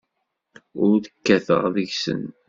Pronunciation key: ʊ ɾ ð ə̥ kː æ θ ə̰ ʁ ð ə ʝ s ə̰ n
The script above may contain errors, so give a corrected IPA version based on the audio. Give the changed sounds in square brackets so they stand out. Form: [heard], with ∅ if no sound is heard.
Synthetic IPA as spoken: ʊ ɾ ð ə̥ kː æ θ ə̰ ʁ ð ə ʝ s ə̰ n